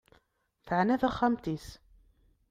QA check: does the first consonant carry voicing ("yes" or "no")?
no